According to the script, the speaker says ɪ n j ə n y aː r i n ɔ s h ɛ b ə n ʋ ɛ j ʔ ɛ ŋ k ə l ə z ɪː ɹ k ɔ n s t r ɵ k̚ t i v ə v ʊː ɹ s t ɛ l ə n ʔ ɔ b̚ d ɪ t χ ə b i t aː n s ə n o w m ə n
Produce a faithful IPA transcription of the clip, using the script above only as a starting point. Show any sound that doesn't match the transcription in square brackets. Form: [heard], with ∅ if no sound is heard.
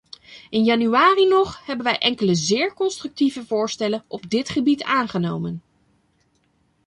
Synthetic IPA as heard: ɪ n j [ɑ] n y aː r i n ɔ [χ] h ɛ b ə n ʋ ɛ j ʔ ɛ ŋ k ə l ə z ɪː ɹ k ɔ n s t r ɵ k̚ t i v ə v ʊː ɹ s t ɛ l ə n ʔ ɔ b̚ d ɪ t χ ə b i t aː n [χ] ə n o w m ə n